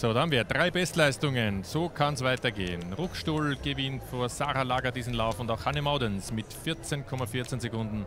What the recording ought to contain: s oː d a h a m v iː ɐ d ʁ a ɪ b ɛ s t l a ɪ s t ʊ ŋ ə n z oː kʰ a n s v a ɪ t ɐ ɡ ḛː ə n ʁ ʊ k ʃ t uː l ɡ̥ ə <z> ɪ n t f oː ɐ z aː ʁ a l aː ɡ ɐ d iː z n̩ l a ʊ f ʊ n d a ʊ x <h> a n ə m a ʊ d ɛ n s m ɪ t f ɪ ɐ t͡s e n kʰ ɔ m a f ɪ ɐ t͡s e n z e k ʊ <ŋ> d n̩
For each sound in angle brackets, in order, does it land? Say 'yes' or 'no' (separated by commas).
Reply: no, yes, no